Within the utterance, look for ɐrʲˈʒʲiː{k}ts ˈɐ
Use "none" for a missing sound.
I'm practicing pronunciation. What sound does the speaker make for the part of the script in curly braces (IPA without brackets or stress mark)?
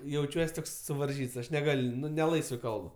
none